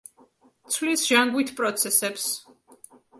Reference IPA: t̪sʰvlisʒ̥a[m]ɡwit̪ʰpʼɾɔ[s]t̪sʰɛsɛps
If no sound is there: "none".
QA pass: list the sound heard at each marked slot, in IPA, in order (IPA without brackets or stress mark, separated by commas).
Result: ŋ, none